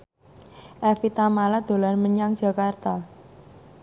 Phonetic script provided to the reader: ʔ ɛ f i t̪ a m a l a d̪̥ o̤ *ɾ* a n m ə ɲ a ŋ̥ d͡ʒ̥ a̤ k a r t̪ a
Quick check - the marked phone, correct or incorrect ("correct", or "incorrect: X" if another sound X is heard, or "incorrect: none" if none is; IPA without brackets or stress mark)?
incorrect: l